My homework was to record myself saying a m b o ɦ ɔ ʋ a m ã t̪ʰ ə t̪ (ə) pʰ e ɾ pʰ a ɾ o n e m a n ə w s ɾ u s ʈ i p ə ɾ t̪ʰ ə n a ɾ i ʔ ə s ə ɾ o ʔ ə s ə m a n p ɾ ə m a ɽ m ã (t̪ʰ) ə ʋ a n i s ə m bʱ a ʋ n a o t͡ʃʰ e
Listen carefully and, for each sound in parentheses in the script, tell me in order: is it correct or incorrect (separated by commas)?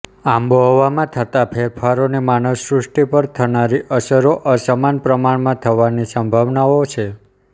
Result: incorrect, correct